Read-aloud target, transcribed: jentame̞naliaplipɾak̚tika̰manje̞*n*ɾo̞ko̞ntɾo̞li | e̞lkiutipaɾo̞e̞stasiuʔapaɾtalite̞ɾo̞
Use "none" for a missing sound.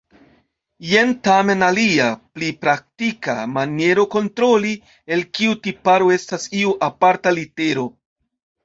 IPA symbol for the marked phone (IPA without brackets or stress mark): none